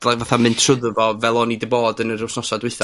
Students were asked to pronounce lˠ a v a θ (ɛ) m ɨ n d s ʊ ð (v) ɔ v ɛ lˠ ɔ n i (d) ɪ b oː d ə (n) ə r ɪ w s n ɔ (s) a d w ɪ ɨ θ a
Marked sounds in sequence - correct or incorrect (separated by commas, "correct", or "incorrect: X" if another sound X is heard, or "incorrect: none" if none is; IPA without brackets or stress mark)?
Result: incorrect: a, correct, correct, correct, correct